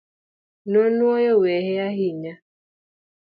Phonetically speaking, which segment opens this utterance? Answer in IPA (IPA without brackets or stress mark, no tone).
n